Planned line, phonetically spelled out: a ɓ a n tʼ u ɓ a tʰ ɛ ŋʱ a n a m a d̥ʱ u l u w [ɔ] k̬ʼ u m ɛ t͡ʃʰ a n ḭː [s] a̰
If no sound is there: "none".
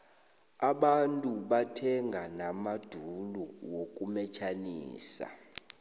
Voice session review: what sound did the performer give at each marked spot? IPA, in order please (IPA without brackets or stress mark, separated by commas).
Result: o, s